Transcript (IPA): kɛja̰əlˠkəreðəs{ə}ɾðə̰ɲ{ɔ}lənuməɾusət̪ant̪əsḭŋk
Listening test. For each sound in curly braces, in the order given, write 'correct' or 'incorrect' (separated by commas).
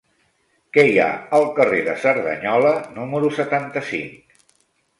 correct, correct